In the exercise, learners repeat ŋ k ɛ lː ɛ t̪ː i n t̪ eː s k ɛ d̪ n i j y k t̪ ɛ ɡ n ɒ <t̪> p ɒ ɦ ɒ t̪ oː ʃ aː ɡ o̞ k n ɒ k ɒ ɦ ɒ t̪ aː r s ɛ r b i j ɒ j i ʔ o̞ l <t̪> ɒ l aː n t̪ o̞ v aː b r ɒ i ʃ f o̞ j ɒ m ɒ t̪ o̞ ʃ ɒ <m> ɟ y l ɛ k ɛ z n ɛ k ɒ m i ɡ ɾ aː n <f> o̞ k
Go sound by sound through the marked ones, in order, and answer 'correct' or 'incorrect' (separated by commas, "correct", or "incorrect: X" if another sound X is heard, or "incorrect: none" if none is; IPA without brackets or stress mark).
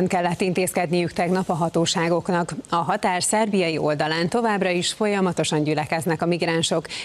incorrect: none, incorrect: d̪, incorrect: ɲ, incorrect: ʃ